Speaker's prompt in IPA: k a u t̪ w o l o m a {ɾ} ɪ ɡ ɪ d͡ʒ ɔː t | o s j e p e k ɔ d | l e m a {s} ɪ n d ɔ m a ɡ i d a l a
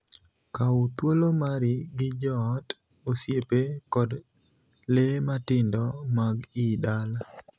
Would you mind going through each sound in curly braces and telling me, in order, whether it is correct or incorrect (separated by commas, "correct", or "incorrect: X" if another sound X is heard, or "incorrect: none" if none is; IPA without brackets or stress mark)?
correct, incorrect: t